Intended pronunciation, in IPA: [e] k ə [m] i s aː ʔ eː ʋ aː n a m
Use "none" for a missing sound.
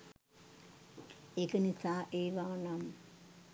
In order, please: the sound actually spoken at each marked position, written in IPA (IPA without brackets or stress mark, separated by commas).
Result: e, n